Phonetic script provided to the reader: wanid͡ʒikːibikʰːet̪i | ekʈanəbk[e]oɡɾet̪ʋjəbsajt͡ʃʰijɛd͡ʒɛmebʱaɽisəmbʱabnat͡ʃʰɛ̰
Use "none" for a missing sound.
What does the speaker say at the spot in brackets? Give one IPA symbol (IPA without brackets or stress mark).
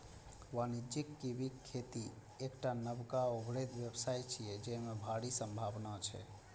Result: a